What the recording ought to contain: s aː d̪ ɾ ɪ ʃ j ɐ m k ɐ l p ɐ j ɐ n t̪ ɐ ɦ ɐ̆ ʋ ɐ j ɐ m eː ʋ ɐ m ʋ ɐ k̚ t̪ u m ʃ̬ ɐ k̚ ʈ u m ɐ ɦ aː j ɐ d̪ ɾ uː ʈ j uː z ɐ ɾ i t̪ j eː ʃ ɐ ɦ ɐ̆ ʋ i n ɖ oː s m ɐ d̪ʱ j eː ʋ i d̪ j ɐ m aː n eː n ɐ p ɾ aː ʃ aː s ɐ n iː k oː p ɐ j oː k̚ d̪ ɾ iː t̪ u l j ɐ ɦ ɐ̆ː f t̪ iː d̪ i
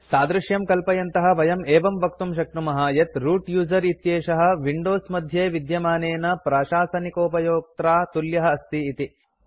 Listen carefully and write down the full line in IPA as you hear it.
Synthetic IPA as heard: s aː d̪ ɾ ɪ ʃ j ɐ m k ɐ l p ɐ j ɐ n t̪ ɐ ɦ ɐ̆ ʋ ɐ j ɐ m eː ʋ ɐ m ʋ ɐ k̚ t̪ u m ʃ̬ ɐ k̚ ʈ u m ɐ ɦ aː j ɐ t̪ ɾ uː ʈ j uː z ɐ ɾ i t̪ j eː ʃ ɐ ɦ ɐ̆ ʋ i ɳ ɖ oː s m ɐ d̪ʱ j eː ʋ i d̪ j ɐ m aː n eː n ɐ p ɾ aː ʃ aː s ɐ n i k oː p ɐ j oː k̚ t̪ ɾ aː t̪ u l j ɐ ɦ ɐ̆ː s t̪ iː t̪ i

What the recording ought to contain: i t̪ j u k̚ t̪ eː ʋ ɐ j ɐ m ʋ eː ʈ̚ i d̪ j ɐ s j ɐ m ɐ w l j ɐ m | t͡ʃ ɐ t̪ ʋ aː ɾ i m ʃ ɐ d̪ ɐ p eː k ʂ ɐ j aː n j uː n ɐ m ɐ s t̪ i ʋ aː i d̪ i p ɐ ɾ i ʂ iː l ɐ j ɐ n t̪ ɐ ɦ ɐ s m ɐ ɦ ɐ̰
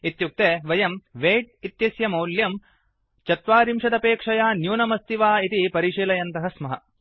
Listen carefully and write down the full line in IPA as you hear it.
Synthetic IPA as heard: i t̪ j u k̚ t̪ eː ʋ ɐ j ɐ m ʋ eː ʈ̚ i t̪ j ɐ s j ɐ m ɐ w l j ɐ m | t͡ʃ ɐ t̪ ʋ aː ɾ i m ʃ ɐ d̪ ɐ p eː k ʂ ɐ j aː n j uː n ɐ m ɐ s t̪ i ʋ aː i t̪ i p ɐ ɾ i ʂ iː l ɐ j ɐ n t̪ ɐ ɦ ɐ s m ɐ ɦ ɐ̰

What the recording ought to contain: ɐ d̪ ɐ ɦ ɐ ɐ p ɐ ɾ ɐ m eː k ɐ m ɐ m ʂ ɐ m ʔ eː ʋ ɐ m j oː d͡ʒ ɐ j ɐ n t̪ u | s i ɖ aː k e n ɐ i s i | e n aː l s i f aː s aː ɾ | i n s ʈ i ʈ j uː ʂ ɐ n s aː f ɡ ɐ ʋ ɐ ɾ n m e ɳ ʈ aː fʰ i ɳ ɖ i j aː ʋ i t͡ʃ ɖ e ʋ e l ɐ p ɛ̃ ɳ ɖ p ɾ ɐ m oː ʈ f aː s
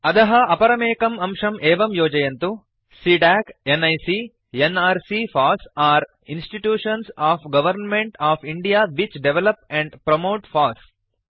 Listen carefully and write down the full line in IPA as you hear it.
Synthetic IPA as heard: ɐ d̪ ɐ ɦ ɐ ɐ p ɐ ɾ ɐ m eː k ɐ m ɐ m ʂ ɐ m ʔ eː ʋ ɐ m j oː d͡ʒ ɐ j ɐ n t̪ u | s i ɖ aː k e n ɐ j s i | e n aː ɾ s i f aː s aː ɾ | i n s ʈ i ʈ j uː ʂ ɐ n s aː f ɡ ɐ ʋ ɐ ɾ n m e ɳ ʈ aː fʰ i ɳ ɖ i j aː ʋ i t͡ʃ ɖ e ʋ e l ɐ p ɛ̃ ɳ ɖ p ɾ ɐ m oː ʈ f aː s

